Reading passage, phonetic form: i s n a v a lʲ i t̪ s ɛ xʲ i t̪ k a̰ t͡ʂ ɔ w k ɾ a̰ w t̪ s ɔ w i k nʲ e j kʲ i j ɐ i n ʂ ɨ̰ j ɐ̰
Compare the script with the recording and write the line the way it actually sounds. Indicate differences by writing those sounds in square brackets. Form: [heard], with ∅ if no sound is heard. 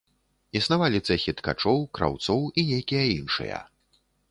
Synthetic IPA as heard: i s n a v a lʲ i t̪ s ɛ xʲ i t̪ k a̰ t͡ʂ ɔ w k ɾ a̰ w t̪ s ɔ w i [∅] nʲ e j kʲ i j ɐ i n ʂ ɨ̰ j ɐ̰